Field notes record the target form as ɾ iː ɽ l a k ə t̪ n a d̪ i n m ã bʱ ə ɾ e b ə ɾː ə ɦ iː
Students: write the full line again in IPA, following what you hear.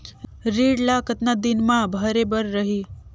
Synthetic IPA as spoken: ɾ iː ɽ l a k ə t̪ n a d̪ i n m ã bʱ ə ɾ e b ə ɾː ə ɦ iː

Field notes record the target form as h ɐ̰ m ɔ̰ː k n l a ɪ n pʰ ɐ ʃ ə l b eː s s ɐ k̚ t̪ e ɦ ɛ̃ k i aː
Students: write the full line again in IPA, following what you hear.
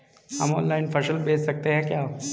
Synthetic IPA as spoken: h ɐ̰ m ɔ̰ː n l a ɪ n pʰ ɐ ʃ ə l b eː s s ɐ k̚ t̪ e ɦ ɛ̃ k j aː

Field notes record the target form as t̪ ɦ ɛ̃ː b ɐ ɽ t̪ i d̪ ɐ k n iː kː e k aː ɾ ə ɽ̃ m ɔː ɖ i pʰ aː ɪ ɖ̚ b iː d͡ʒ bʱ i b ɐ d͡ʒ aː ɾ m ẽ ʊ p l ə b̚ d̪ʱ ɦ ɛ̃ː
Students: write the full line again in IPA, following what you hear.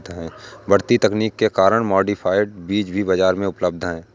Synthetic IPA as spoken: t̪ ɦ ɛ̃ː b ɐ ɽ t̪ i t̪ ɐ k n iː kː e k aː ɾ ə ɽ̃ m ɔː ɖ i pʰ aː ɪ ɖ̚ b iː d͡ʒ bʱ i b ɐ d͡ʒ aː ɾ m ẽ ʊ p l ə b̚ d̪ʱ ɦ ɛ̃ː

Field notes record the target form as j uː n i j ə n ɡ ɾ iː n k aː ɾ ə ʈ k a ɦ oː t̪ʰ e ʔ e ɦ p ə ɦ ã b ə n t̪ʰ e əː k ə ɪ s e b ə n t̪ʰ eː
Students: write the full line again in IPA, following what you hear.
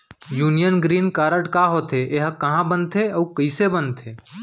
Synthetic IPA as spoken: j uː n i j ə n ɡ ɾ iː n k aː ɾ ə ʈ k a ɦ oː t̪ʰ e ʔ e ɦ k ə ɦ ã b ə n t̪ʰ e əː k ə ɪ s e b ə n t̪ʰ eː

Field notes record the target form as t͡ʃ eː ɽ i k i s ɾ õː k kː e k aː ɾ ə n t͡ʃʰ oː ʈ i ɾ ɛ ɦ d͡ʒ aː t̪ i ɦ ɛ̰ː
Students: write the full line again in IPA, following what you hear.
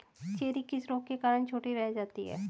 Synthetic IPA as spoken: t͡ʃ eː ɾ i k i s ɾ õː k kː e k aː ɾ ə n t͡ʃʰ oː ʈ i ɾ ɛ ɦ d͡ʒ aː t̪ i ɦ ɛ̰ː

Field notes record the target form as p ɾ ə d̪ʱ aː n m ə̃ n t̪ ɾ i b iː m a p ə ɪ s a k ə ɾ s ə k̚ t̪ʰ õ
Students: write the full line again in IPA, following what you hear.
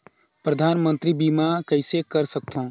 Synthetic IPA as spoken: p ɾ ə d̪ʱ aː n m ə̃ n t̪ ɾ i b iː m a k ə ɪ s e k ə ɾ s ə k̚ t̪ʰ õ

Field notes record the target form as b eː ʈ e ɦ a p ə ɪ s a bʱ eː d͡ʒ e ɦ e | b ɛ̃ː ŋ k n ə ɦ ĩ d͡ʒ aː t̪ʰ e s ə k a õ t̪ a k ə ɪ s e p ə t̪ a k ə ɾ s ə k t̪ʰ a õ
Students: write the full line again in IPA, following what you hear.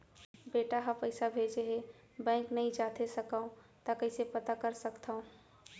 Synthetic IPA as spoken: b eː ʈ a ɦ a p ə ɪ s a bʱ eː d͡ʒ e ɦ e | b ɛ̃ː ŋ k n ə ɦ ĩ d͡ʒ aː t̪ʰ e s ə k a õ t̪ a k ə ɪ s e p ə t̪ a k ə ɾ s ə k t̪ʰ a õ

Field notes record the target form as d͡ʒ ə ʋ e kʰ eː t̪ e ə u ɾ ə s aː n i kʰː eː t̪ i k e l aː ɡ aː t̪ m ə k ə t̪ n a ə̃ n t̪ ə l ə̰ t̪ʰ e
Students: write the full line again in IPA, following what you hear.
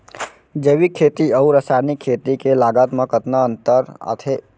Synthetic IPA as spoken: d͡ʒ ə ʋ i kʰ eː t̪ i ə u ɾ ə s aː n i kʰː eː t̪ i k e l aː ɡ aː t̪ m ə k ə t̪ n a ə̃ n t̪ ə ɾ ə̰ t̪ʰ e

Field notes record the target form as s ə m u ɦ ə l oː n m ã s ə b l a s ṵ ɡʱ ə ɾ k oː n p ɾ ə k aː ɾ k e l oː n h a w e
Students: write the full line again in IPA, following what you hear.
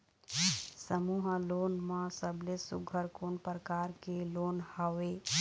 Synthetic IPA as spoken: s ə m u ɦ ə l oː n m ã s ə b l e s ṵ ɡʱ ə ɾ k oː n p ɾ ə k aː ɾ k e l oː n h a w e

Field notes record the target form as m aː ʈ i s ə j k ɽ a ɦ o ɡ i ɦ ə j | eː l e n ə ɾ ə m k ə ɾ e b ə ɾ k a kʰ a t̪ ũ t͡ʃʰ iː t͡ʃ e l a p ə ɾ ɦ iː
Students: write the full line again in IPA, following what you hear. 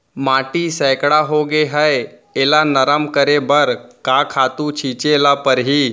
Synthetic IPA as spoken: m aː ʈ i s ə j k ɽ a ɦ o ɡ e ɦ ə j | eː l a n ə ɾ ə m k ə ɾ e b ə ɾ k a kʰ a t̪ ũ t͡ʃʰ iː t͡ʃ e l a p ə ɾ ɦ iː

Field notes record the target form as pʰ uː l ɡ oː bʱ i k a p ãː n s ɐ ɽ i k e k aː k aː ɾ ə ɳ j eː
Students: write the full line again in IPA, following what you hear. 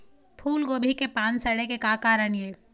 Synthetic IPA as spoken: pʰ uː l ɡ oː bʱ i k e p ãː n s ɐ ɽ e k e k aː k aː ɾ ə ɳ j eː

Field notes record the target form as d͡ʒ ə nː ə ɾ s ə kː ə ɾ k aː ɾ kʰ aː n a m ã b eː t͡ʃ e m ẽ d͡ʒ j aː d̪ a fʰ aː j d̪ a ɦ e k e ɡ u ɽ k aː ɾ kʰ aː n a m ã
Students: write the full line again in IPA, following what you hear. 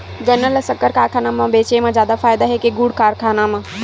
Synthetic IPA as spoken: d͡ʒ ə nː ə l s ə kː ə ɾ k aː ɾ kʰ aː n a m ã b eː t͡ʃ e m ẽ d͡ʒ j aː d̪ a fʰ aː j d̪ a ɦ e k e ɡ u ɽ k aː ɾ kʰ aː n a m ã

